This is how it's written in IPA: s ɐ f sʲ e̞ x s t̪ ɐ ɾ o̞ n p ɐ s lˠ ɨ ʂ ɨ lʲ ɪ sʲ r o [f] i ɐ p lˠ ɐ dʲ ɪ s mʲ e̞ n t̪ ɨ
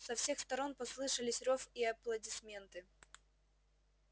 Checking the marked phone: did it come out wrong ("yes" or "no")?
no